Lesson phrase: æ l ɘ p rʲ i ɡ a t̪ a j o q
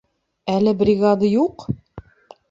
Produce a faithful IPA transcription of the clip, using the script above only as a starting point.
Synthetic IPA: æ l ɘ b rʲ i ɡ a d̪ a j u q